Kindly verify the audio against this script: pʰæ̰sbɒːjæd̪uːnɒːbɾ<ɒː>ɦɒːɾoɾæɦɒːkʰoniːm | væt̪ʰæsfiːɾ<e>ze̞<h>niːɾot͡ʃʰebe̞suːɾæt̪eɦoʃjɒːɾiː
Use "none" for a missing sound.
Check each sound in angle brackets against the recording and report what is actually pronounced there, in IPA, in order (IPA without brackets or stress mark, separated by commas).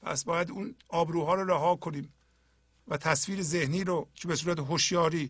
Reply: uː, e, h